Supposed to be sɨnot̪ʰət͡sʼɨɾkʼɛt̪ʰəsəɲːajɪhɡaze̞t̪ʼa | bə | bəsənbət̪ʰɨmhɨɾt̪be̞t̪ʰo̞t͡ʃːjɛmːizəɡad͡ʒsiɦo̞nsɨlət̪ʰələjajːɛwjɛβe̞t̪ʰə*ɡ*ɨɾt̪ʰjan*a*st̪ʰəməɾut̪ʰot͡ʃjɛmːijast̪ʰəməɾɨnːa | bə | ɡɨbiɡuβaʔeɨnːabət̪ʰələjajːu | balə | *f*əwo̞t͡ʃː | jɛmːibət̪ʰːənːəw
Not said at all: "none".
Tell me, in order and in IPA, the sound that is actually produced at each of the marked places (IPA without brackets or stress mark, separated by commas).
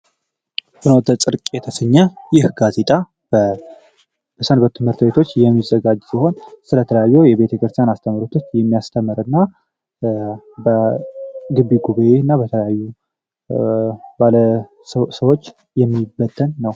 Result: k, a, s